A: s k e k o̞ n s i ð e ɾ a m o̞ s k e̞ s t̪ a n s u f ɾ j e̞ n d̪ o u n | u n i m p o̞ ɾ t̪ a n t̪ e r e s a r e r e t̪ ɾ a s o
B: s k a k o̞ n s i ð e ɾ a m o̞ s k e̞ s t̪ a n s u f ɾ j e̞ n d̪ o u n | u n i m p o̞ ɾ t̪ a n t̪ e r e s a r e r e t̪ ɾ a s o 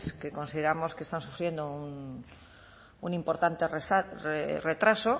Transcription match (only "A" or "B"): A